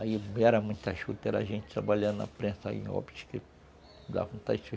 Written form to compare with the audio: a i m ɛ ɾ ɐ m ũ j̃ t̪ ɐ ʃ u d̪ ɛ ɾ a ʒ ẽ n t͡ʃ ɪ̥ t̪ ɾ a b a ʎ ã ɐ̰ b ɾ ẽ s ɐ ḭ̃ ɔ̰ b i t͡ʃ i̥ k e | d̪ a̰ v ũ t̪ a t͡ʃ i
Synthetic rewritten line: a i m ɛ ɾ ɐ m ũ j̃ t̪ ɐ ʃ u t̪ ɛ ɾ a ʒ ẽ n t͡ʃ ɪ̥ t̪ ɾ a b a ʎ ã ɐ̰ p ɾ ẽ s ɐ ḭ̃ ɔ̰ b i t͡ʃ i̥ k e | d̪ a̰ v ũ t̪ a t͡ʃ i